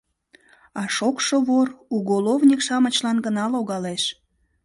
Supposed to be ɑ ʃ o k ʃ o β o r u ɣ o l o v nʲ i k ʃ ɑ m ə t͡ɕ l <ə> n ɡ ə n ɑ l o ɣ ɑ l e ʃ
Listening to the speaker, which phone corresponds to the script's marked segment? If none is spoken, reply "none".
ɑ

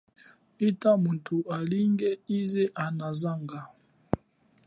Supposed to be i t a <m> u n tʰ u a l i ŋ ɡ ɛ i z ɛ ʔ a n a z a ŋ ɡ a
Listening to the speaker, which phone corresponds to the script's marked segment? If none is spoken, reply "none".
m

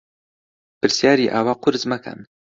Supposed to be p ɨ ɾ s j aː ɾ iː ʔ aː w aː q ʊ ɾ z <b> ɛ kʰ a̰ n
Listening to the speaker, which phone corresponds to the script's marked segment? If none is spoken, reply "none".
m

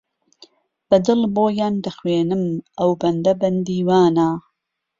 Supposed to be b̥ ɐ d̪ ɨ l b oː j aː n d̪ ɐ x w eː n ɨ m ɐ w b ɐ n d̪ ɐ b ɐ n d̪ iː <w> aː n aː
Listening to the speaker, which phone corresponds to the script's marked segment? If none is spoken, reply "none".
w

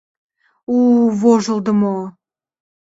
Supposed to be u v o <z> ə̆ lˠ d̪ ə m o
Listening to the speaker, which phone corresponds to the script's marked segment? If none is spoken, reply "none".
ʒ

